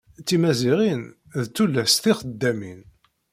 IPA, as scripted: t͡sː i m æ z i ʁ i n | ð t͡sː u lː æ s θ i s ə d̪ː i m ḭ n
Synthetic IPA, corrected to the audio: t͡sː i m æ z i ʁ i n | ð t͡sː u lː æ s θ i χ ə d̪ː æ m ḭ n